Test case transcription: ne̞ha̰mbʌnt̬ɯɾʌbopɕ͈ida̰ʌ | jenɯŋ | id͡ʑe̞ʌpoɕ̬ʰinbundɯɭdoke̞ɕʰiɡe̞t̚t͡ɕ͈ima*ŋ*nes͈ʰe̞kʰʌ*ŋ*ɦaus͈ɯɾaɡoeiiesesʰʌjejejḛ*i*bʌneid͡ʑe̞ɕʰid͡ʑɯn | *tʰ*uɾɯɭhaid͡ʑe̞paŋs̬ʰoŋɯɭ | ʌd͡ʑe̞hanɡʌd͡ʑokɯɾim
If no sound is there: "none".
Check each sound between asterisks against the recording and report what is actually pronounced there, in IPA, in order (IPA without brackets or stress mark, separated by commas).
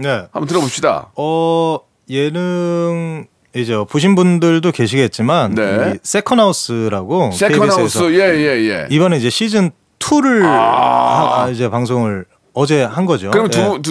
n, n, i, tʰ